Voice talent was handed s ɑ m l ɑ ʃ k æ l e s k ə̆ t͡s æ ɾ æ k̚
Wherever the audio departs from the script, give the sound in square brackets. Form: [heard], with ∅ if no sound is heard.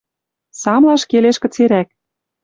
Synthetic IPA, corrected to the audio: s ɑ m l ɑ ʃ k [e] l e [ʃ] k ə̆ t͡s [e] ɾ æ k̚